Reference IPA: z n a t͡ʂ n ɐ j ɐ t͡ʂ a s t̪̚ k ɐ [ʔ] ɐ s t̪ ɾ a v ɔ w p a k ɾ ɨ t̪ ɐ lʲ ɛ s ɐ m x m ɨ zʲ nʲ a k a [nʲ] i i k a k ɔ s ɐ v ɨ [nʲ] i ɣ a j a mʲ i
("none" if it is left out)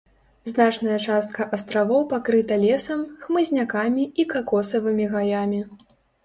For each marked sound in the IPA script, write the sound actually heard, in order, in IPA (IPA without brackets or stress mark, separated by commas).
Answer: ʔ, mʲ, mʲ